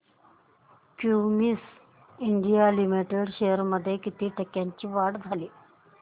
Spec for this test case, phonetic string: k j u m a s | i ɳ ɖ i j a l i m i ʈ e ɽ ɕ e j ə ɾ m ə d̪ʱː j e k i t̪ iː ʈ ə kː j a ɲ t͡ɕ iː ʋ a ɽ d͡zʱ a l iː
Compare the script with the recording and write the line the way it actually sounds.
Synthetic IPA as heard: k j u m i s | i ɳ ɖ i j a l i m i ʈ e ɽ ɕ e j ə ɾ m ə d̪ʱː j e k i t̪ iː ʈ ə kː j a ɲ t͡ɕ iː ʋ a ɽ d͡zʱ a l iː